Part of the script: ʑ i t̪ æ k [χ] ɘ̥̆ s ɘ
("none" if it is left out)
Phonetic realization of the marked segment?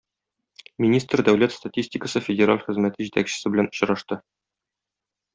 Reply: ɕ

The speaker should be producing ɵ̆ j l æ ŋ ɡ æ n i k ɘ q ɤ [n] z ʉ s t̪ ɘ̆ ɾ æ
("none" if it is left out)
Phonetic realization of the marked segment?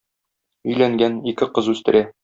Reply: none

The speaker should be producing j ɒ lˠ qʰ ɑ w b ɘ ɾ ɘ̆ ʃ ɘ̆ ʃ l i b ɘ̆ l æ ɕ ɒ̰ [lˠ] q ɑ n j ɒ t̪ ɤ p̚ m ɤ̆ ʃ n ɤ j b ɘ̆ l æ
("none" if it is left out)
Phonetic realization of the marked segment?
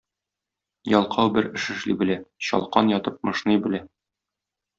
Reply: lˠ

